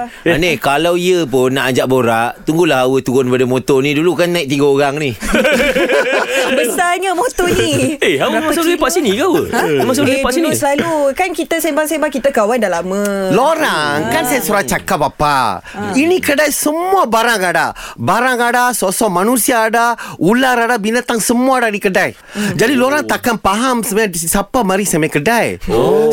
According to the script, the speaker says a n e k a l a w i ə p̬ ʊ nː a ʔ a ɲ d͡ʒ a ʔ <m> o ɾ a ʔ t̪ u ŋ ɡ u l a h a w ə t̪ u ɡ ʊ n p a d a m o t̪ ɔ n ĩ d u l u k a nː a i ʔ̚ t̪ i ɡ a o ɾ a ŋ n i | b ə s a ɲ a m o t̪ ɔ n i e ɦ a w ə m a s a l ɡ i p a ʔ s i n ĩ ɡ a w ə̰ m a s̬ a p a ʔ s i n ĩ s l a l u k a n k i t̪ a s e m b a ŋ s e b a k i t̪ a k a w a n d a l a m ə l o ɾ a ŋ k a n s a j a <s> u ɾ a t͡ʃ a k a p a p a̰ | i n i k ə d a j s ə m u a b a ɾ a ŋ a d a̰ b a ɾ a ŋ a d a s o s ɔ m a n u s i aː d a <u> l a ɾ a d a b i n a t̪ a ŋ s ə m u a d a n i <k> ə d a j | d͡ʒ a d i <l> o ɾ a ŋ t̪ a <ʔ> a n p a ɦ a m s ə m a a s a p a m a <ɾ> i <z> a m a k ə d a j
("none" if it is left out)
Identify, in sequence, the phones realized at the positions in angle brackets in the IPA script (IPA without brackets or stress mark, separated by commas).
b, s, u, k, l, k, ɾ, s